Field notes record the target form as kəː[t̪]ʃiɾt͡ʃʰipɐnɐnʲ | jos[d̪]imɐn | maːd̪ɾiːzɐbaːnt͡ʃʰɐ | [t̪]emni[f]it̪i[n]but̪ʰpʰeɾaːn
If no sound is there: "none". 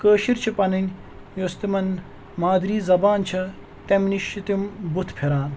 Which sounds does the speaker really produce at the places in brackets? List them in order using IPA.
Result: none, t̪, t̪, ʃ, m

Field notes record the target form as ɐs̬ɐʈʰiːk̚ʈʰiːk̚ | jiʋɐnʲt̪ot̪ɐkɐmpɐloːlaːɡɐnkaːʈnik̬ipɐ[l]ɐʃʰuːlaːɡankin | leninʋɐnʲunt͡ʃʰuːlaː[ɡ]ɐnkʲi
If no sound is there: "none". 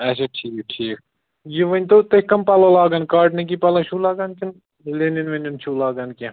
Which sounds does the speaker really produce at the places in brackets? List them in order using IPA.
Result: l, ɡ

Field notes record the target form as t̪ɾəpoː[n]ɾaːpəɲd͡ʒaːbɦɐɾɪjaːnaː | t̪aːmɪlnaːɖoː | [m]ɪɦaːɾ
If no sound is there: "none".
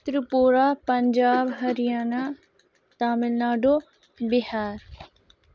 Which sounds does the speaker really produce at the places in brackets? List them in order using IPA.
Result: none, b

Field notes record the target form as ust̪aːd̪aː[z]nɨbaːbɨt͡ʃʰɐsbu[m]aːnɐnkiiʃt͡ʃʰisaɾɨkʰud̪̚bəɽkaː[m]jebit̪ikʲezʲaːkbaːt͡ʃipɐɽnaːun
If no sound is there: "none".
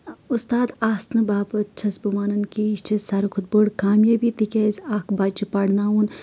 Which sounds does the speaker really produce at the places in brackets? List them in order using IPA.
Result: s, m, m

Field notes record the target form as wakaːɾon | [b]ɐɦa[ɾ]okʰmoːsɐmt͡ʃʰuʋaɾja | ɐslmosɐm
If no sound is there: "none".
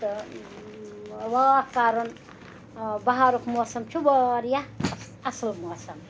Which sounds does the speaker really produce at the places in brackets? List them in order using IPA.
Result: b, ɾ

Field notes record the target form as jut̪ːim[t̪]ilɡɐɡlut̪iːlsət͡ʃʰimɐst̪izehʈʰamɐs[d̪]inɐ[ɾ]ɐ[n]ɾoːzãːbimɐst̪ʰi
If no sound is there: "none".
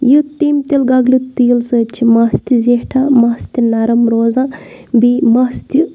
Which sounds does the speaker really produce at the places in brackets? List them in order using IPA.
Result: t̪, t̪, ɾ, m

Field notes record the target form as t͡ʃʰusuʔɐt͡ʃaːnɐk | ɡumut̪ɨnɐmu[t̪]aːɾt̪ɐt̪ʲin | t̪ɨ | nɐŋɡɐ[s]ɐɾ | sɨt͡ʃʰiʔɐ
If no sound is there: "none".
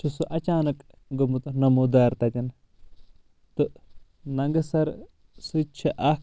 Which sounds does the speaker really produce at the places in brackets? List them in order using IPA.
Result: d̪, s

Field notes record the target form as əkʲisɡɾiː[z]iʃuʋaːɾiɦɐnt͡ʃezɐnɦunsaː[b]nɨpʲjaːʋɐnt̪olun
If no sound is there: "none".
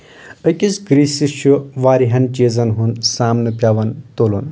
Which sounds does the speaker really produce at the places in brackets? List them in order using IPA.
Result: s, m

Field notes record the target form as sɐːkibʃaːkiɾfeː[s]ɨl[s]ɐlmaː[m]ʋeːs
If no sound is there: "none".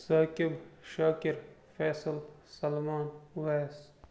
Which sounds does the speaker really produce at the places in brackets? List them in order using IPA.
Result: s, s, n

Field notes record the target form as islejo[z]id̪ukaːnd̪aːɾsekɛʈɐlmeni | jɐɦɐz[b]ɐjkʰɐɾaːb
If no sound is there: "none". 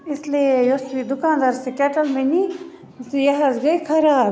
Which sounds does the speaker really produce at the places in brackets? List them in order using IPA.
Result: s, ɡ

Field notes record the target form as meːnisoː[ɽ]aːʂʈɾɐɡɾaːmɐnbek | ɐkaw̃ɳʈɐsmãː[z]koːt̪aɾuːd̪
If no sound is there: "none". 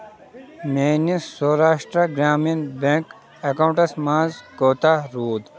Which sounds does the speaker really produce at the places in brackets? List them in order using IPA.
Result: ɾ, z

